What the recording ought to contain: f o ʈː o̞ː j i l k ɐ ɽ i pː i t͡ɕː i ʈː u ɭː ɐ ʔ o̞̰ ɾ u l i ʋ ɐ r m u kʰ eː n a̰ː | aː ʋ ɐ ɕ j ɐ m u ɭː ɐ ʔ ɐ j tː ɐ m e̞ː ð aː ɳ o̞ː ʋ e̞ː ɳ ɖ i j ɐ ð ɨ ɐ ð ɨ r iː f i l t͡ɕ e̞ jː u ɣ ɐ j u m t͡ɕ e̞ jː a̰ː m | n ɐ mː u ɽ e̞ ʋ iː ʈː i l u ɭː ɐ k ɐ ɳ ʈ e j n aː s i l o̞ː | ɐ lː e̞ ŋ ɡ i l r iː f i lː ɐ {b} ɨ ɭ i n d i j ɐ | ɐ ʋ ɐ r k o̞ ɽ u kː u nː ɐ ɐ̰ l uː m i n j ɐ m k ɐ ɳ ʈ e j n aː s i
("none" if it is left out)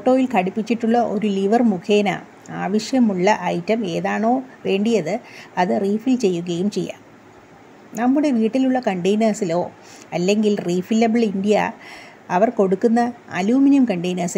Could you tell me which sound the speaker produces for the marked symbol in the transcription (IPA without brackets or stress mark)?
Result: b